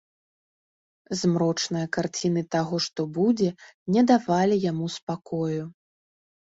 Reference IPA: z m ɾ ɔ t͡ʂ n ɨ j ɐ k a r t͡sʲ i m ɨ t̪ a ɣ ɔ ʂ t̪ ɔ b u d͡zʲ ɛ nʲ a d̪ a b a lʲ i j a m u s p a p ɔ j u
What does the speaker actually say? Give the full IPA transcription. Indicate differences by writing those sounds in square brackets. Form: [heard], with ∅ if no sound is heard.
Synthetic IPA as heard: z m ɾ ɔ t͡ʂ n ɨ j ɐ k a r t͡sʲ i [n] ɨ t̪ a ɣ ɔ ʂ t̪ ɔ b u d͡zʲ ɛ nʲ [ɛ] d̪ a [v] a lʲ i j a m u s p a [k] ɔ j u